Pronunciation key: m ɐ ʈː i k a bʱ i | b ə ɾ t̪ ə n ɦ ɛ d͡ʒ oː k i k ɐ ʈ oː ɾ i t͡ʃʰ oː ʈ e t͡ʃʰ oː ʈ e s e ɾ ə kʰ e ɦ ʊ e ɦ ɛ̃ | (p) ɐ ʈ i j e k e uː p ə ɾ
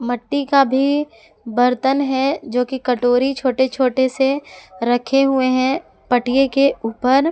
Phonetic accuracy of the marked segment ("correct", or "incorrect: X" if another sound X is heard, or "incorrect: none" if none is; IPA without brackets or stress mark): correct